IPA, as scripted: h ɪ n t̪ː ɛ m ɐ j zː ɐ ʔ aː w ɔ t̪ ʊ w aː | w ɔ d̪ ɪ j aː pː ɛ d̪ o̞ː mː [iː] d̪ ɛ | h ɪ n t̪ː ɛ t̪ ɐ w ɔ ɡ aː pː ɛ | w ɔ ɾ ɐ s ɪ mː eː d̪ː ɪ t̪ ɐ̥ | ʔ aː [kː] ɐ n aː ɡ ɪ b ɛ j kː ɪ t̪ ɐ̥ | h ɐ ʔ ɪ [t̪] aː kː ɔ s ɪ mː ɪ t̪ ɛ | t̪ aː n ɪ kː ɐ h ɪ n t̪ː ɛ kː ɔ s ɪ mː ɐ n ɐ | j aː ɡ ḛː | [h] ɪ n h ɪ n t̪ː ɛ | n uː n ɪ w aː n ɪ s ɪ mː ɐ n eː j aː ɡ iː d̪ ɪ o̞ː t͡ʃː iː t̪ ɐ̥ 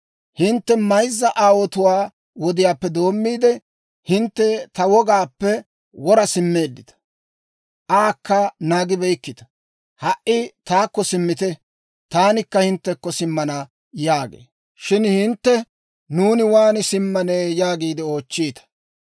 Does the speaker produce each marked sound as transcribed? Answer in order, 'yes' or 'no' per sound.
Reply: yes, yes, yes, no

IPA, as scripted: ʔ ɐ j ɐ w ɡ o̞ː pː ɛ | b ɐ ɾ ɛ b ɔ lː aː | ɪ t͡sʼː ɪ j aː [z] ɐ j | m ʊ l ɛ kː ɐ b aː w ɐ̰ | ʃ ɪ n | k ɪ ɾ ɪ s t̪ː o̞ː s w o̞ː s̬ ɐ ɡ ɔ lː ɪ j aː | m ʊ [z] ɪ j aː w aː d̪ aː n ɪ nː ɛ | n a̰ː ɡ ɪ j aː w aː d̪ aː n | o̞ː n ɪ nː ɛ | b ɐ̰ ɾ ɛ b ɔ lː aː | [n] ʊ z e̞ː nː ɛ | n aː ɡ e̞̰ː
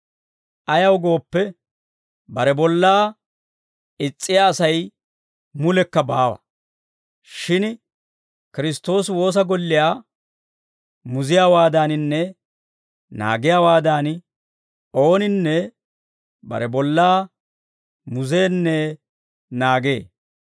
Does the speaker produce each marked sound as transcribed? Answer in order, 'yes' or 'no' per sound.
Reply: no, yes, no

